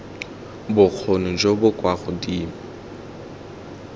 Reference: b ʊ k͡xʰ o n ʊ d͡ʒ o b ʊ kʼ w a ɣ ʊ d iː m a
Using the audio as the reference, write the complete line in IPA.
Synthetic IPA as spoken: b ʊ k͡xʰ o n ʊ d͡ʒ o b ʊ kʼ w a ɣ ʊ d iː m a